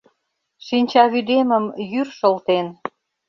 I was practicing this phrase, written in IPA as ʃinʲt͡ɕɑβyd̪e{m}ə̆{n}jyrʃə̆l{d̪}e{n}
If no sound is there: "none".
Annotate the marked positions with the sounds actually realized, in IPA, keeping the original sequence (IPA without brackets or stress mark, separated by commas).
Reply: m, m, t̪, n